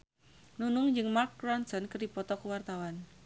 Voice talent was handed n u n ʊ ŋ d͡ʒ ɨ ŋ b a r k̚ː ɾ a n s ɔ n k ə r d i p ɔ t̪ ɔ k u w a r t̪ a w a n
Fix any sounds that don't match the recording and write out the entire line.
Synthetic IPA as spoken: n u n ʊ ŋ d͡ʒ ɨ ŋ m a r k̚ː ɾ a n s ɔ n k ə r d i p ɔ t̪ ɔ k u w a r t̪ a w a n